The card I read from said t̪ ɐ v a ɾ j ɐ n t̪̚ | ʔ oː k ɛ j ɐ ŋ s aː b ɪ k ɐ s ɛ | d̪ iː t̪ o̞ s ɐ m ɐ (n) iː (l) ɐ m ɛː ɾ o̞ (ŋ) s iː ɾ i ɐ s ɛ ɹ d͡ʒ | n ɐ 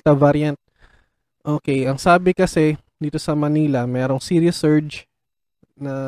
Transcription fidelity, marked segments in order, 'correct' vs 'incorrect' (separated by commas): correct, correct, correct